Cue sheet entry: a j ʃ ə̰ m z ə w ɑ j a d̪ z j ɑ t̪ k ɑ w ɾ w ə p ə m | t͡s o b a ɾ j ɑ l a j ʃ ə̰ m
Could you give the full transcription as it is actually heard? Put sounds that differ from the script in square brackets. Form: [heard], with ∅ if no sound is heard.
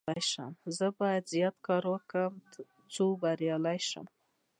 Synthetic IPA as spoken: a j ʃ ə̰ m z ə [b] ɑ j a d̪ z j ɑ t̪ k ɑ [∅] ɾ w ə [k] ə m | t͡s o b a ɾ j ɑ l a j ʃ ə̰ m